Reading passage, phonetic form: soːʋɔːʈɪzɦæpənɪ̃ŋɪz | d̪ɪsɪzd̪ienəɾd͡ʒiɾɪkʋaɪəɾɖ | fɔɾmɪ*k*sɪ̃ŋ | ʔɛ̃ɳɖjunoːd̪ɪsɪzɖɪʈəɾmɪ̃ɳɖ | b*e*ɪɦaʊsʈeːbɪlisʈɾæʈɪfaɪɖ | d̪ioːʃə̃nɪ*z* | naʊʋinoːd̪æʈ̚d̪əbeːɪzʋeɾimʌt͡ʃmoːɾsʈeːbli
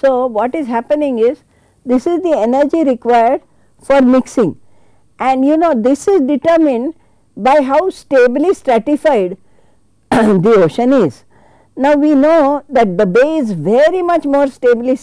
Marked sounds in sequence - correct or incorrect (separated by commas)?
correct, incorrect, correct